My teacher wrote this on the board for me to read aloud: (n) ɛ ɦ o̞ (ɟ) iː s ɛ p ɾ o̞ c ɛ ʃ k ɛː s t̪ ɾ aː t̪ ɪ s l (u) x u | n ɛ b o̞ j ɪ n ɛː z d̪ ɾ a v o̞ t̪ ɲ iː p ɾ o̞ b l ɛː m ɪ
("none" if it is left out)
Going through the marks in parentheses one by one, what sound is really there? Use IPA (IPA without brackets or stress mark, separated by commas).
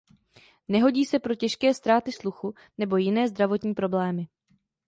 n, ɟ, u